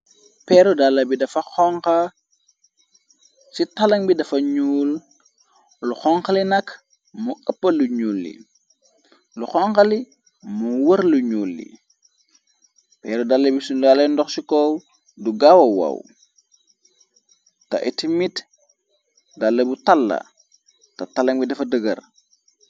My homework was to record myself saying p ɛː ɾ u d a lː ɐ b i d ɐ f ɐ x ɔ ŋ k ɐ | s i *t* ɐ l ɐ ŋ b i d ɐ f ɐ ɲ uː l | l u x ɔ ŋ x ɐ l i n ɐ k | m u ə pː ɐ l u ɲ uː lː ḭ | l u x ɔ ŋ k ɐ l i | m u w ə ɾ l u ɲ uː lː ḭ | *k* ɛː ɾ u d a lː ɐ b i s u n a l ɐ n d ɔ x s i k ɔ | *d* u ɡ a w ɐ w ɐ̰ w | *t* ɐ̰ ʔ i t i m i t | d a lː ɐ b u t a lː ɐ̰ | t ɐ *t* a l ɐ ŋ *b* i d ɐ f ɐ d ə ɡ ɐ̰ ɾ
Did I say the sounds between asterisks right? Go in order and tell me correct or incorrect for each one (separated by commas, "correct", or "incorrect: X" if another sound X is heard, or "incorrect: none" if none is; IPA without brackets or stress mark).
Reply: correct, incorrect: p, correct, correct, correct, correct